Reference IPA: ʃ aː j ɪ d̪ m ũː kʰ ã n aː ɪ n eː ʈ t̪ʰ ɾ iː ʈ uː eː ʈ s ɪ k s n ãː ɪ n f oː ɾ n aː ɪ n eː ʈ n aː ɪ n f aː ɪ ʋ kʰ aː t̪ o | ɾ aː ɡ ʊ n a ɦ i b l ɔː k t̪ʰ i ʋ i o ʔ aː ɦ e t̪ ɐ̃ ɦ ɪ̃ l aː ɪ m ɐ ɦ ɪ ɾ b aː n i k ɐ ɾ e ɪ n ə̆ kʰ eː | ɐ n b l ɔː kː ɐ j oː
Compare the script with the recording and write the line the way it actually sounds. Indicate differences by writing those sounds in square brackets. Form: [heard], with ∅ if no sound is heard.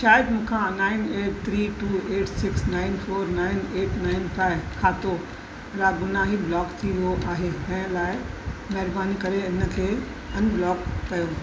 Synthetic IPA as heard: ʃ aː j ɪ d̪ m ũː kʰ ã n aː ɪ n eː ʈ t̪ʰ ɾ iː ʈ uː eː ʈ s ɪ k s n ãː ɪ n f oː ɾ n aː ɪ n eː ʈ n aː ɪ n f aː ɪ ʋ kʰ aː t̪ o | ɾ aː ɡ ʊ n a ɦ i b l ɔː k t̪ʰ i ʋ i o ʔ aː ɦ e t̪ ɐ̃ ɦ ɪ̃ l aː ɪ m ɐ ɦ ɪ ɾ b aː n i k ɐ ɾ e ɪ n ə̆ kʰ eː | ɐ n b l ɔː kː ɐ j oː